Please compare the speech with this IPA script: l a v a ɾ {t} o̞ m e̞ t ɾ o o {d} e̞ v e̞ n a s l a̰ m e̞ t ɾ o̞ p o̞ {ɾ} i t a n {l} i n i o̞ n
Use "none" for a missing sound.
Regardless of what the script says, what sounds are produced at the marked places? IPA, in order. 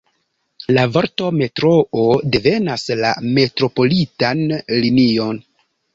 t, d, l, l

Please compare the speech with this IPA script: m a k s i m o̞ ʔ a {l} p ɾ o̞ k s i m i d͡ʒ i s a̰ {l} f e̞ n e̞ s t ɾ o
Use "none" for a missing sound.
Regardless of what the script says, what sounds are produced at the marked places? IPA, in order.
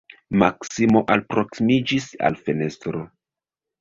l, l

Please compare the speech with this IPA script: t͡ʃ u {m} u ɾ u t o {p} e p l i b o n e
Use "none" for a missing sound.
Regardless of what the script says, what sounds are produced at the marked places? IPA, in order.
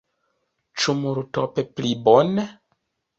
m, p

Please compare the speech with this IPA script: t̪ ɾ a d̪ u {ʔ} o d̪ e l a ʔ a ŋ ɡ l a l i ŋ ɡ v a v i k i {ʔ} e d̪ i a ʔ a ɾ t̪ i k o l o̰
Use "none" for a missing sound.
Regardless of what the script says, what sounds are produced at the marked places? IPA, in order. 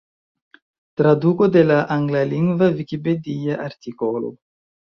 k, p

